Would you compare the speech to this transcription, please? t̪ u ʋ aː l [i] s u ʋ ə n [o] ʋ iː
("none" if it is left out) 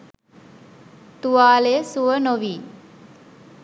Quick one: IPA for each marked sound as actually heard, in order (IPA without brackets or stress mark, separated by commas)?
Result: e, o